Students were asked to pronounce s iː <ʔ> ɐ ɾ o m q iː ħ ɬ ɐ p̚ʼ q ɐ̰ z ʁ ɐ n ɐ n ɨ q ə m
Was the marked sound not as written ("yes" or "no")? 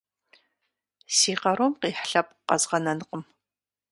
yes